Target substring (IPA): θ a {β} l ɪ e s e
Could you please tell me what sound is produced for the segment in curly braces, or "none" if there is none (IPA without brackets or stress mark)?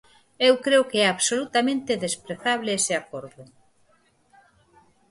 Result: β